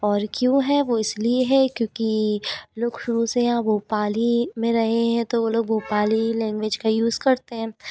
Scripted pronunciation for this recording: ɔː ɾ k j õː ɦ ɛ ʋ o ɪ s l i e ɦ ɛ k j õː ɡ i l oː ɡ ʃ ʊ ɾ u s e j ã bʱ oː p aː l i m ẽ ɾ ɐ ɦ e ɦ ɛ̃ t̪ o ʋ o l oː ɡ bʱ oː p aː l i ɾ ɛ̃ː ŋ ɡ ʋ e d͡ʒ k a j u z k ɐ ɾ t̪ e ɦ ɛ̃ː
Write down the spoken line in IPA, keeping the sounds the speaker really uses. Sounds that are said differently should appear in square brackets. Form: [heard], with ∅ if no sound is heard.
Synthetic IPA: ɔː ɾ k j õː ɦ ɛ ʋ o ɪ s l i e ɦ ɛ k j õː [k] i l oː ɡ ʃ ʊ ɾ u s e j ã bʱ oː p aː l i m ẽ ɾ ɐ ɦ e ɦ ɛ̃ t̪ o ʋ o l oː ɡ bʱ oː p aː l i [l] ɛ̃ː ŋ ɡ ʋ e d͡ʒ k a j [uː] z k ɐ ɾ t̪ e ɦ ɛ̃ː